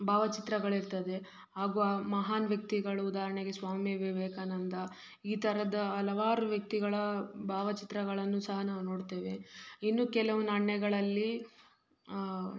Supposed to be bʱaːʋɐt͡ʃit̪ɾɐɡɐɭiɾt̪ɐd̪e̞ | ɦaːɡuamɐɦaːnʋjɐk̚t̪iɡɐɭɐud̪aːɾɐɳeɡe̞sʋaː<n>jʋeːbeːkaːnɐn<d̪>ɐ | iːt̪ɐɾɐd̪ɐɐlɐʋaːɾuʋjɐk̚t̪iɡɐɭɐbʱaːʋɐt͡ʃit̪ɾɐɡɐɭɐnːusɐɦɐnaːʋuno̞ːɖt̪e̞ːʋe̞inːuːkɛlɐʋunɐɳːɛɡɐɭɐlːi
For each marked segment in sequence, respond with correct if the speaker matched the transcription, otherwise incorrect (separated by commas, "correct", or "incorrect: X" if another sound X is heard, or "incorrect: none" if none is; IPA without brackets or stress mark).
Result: incorrect: m, correct